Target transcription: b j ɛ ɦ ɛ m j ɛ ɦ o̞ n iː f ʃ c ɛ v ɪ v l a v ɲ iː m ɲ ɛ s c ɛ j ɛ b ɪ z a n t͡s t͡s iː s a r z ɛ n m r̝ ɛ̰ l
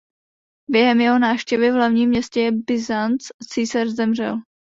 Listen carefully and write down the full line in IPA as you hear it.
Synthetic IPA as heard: b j ɛ ɦ ɛ m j ɛ ɦ o̞ n aː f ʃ c ɛ v ɪ v l a v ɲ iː m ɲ ɛ s c ɛ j ɛ b ɪ z a n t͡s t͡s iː s a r z ɛ m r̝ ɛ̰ l

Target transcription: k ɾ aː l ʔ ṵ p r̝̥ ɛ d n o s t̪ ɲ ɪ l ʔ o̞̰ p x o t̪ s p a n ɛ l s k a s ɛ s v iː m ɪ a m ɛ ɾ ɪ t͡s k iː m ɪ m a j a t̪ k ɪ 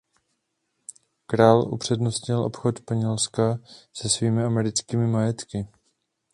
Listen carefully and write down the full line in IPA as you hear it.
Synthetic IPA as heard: k ɾ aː l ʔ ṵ p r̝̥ ɛ d n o s t̪ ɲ ɪ l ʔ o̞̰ p x o t̪ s p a ɲ ɛ l s k a s ɛ s v iː m ɪ a m ɛ ɾ ɪ t͡s k iː m ɪ m a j ɛ t̪ k ɪ

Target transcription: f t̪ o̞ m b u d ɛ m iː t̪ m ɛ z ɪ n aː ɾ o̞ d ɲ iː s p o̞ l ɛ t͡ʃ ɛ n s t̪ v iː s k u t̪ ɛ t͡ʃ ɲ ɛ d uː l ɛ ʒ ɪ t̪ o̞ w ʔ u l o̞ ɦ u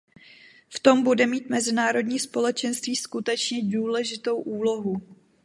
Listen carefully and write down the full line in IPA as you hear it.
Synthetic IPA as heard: f t̪ o̞ m b u d ɛ m iː t̪ m ɛ z ɪ n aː ɾ o̞ d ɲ iː s p o̞ l ɛ t͡ʃ ɛ n s t̪ v iː s k u t̪ ɛ t͡ʃ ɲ ɛ d uː l ɛ ʒ ɪ t̪ o̞ w ʔ uː l o̞ ɦ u

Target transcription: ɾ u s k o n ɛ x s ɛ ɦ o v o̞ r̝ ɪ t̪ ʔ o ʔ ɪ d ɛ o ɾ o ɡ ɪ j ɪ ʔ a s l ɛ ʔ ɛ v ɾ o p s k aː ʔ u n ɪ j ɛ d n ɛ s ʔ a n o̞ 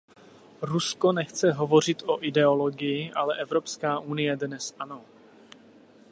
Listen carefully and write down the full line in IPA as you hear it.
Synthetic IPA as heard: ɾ u s k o n ɛ x t͡s ɛ ɦ o v o̞ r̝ ɪ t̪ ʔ o ʔ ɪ d ɛ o l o ɡ ɪ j ɪ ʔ a l ɛ ʔ ɛ v ɾ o p s k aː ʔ u n ɪ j ɛ d n ɛ s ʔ a n o̞

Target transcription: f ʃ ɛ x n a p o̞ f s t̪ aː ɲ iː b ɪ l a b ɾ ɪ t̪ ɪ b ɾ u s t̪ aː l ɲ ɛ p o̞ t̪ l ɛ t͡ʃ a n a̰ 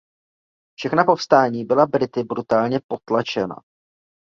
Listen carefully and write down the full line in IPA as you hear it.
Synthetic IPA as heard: f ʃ ɛ x n a p o̞ f s t̪ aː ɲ iː b ɪ l a b ɾ ɪ t̪ ɪ b ɾ u t̪ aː l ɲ ɛ p o̞ t̪ l a t͡ʃ ɛ n a̰

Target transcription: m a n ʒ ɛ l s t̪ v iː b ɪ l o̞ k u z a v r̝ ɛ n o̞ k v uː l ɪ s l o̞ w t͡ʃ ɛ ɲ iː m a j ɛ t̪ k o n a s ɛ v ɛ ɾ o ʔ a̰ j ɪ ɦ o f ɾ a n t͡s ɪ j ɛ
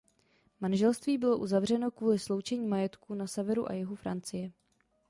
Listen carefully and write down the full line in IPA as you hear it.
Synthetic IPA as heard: m a n ʒ ɛ l s t̪ v iː b ɪ l o̞ ʔ u z a v r̝ ɛ n o̞ k v uː l ɪ s l o̞ w t͡ʃ ɛ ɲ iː m a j ɛ t̪ k u n a s ɛ v ɛ ɾ u ʔ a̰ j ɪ ɦ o f ɾ a n t͡s ɪ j ɛ

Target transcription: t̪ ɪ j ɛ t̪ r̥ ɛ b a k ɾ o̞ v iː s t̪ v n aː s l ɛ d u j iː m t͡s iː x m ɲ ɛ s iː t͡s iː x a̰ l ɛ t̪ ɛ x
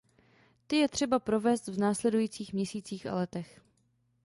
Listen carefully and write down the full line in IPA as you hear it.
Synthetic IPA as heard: t̪ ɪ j ɛ t̪ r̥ ɛ b a p ɾ o̞ v ɛː s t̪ v n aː s l ɛ d u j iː t͡s iː x m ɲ ɛ s iː t͡s iː x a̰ l ɛ t̪ ɛ x

